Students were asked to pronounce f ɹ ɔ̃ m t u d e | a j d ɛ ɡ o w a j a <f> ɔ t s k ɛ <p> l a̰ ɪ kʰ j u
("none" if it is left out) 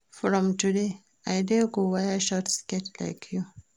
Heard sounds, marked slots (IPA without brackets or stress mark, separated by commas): ʃ, t